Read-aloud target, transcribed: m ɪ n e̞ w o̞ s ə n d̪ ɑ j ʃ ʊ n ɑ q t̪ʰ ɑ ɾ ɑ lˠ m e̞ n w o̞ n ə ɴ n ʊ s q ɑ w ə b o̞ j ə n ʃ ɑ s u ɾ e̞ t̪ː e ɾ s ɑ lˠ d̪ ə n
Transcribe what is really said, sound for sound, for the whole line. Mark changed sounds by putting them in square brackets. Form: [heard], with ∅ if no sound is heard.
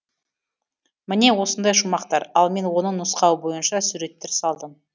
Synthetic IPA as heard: m ɪ n e̞ w o̞ s ə n d̪ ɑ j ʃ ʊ [m] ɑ q [t̪] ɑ ɾ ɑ lˠ m e̞ n w o̞ n ə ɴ n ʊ s q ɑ w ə b o̞ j ə n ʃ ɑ s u ɾ e̞ t̪ː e ɾ s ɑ lˠ d̪ ə [m]